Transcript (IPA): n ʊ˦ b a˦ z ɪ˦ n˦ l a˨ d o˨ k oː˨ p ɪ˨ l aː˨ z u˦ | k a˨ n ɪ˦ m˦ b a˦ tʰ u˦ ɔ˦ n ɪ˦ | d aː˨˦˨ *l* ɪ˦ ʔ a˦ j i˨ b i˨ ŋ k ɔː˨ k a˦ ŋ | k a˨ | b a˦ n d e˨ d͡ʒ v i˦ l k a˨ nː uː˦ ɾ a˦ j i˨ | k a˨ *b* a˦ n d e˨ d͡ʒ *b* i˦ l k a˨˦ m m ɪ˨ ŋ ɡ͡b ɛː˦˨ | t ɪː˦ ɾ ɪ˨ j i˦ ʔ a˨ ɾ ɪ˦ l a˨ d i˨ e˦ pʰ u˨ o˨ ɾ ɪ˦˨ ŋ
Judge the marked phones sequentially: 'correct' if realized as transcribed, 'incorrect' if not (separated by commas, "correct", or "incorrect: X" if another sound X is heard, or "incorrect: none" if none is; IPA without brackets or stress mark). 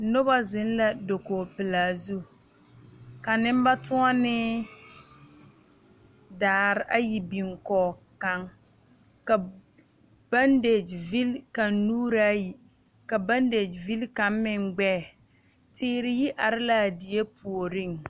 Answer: incorrect: ɾ, correct, incorrect: v